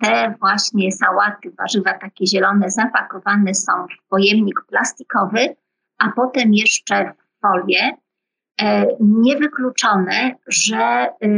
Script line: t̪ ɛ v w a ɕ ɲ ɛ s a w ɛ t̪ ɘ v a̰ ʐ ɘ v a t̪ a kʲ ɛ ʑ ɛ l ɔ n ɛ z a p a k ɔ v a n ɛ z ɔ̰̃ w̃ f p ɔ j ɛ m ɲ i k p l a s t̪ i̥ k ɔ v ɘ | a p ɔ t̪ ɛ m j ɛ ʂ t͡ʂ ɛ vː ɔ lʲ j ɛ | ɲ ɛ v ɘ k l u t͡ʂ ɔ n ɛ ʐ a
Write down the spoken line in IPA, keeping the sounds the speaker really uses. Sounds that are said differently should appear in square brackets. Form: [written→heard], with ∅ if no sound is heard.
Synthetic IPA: t̪ ɛ v w a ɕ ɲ ɛ s a w [ɛ→a] t̪ ɘ v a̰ ʐ ɘ v a t̪ a kʲ ɛ ʑ ɛ l ɔ n ɛ z a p a k ɔ v a n ɛ [z→s] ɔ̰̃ w̃ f p ɔ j ɛ m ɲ i k p l a s t̪ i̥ k ɔ v ɘ | a p ɔ t̪ ɛ m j ɛ ʂ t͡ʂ ɛ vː ɔ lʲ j ɛ | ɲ ɛ v ɘ k l u t͡ʂ ɔ n ɛ ʐ [a→ɛ]